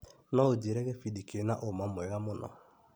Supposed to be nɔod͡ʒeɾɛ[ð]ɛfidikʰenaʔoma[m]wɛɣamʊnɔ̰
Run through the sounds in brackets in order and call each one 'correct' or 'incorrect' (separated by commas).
incorrect, correct